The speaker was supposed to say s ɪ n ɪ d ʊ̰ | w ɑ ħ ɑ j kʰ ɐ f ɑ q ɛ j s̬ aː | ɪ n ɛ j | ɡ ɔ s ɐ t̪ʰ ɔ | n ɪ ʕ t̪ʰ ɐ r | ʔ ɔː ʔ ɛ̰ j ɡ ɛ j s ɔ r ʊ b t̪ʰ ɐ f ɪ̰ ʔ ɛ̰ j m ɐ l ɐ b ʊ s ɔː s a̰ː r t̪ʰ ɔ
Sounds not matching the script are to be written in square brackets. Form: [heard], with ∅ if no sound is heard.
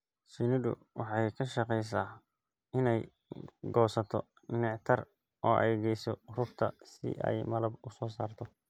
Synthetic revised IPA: s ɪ n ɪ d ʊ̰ | w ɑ ħ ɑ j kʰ ɐ [ʃ] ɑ q ɛ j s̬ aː | ɪ n ɛ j | ɡ [ɔː] s ɐ t̪ʰ ɔ | n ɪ ʕ t̪ʰ ɐ r | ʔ ɔː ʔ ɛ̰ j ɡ ɛ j s ɔ r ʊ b t̪ʰ ɐ [s] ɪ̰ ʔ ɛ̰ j m ɐ l ɐ b ʊ s ɔː s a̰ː r t̪ʰ ɔ